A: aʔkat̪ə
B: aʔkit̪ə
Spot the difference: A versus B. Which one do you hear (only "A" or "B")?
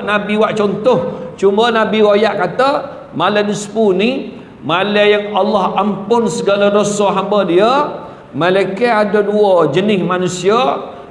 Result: A